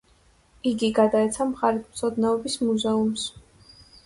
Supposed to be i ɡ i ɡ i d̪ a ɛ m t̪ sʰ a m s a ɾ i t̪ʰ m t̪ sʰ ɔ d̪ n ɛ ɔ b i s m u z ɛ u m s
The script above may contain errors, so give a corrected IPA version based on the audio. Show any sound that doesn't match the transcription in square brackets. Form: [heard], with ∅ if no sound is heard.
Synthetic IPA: i ɡ i ɡ [a] d̪ a ɛ [∅] t̪ sʰ a m [χ] a ɾ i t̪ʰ m t̪ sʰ ɔ d̪ n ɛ ɔ b i s m u z ɛ u m s